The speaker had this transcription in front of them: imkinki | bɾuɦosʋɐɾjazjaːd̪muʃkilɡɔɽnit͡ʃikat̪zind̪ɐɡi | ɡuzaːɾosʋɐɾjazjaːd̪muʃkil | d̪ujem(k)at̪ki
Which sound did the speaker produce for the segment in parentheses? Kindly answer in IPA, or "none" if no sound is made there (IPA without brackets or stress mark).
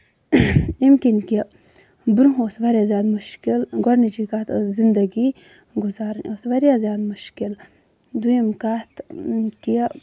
k